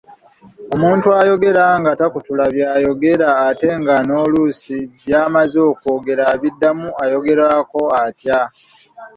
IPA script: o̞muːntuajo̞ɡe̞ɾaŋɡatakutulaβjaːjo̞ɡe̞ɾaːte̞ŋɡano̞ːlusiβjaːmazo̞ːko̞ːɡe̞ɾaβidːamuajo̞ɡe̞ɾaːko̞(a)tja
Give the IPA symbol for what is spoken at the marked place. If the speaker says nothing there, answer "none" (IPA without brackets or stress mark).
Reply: a